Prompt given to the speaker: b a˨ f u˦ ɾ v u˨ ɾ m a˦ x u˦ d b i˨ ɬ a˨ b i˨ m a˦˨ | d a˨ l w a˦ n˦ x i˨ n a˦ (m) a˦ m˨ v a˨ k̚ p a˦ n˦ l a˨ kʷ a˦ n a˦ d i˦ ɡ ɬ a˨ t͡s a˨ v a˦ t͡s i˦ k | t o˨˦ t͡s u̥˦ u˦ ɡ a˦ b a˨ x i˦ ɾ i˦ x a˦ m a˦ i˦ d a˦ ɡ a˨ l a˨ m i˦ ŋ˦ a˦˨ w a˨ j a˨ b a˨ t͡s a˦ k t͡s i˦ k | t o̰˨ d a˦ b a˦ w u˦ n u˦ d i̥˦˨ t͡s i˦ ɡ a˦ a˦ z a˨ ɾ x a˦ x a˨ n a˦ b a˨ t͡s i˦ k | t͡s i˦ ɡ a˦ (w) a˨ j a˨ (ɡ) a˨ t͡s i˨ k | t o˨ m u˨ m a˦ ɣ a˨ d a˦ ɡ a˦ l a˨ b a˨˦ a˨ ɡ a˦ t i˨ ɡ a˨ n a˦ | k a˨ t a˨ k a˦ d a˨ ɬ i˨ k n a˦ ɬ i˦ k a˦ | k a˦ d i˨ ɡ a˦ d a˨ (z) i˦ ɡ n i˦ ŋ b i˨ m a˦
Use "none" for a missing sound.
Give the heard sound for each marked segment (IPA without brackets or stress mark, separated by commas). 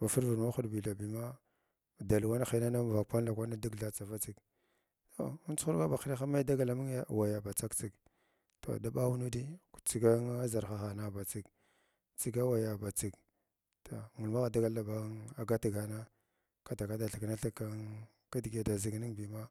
n, w, b, z